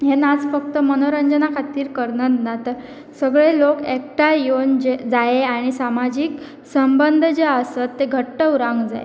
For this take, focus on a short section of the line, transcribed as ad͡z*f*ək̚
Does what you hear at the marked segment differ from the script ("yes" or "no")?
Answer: no